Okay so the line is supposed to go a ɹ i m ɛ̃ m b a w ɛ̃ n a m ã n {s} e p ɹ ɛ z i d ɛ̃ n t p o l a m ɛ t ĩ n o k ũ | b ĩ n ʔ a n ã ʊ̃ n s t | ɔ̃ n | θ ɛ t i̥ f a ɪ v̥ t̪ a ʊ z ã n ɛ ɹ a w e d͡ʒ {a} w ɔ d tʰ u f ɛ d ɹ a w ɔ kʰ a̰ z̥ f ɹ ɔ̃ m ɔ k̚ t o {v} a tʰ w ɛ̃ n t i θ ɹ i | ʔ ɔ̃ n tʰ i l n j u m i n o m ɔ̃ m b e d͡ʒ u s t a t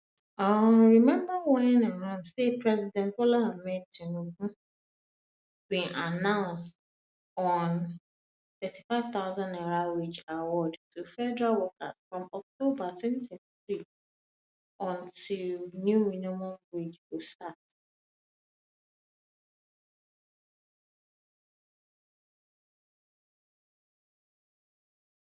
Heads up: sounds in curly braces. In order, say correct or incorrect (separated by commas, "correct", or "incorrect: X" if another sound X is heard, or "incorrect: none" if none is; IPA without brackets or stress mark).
correct, correct, incorrect: b